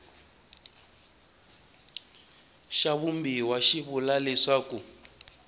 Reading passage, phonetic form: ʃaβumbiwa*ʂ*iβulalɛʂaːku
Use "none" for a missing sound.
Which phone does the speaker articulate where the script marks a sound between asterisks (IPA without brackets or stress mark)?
ʃ